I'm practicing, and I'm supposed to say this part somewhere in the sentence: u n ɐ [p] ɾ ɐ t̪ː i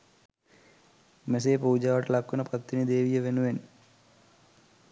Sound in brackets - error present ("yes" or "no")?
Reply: no